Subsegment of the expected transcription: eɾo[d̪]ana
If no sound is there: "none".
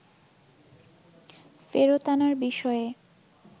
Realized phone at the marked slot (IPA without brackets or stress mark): t̪